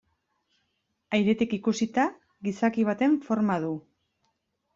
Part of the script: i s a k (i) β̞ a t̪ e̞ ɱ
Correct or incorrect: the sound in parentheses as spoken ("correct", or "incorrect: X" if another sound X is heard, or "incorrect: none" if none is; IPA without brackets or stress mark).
correct